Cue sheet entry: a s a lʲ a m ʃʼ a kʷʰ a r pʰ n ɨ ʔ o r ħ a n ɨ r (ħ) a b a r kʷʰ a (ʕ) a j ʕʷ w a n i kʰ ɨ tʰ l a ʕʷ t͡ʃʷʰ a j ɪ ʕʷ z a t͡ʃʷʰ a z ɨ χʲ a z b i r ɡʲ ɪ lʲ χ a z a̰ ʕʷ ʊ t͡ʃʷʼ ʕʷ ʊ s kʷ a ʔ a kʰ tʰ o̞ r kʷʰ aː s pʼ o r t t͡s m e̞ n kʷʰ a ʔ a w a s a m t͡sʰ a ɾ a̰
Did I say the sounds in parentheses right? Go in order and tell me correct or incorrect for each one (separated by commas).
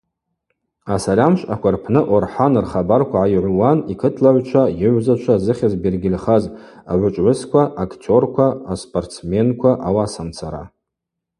incorrect, correct